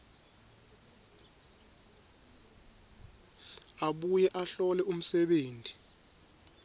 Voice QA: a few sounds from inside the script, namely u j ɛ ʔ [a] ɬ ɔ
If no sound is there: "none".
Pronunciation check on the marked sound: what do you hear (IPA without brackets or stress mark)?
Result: a